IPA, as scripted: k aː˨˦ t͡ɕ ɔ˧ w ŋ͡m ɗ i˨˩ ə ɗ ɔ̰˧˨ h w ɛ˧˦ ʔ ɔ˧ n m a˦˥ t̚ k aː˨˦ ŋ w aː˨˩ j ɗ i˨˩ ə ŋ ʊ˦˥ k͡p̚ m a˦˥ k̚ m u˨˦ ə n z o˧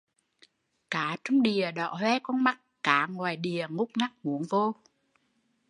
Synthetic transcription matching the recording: k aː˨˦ t͡ɕ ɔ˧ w ŋ͡m ɗ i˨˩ ə ɗ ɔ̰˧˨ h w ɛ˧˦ k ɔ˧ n m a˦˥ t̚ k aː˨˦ ŋ w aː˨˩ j ɗ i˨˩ ə ŋ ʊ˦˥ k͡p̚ n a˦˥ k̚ m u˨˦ ə n v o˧

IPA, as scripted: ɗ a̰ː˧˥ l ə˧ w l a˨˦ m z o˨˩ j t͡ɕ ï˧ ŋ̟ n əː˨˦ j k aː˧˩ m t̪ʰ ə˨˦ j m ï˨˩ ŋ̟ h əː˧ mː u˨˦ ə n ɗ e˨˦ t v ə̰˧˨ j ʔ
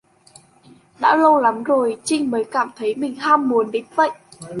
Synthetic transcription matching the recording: ɗ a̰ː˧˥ l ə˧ w l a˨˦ m z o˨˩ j t͡ɕ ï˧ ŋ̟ m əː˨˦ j k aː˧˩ m t̪ʰ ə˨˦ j m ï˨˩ ŋ̟ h aː˧ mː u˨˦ ə n ɗ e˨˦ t v ə̰˧˨ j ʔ

